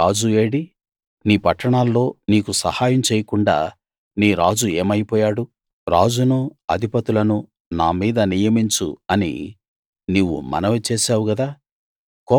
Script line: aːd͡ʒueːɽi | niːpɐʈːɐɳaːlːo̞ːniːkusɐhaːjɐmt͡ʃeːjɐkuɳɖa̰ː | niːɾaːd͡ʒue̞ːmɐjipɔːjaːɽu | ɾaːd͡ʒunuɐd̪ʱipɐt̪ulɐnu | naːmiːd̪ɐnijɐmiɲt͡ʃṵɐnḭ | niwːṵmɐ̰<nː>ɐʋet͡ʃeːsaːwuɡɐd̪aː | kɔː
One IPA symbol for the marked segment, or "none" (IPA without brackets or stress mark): n